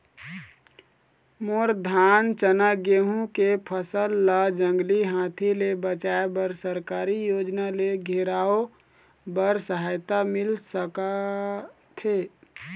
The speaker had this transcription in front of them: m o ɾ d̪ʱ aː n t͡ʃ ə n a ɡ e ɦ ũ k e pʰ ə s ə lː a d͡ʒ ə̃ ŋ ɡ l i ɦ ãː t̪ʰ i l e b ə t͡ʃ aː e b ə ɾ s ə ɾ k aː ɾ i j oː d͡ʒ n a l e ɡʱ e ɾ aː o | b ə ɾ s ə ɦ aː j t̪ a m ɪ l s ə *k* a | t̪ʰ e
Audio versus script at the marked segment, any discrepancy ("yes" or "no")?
no